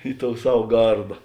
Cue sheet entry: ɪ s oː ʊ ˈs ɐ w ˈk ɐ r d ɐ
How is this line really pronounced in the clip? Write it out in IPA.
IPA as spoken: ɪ t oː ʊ ˈs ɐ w ˈɡ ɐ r d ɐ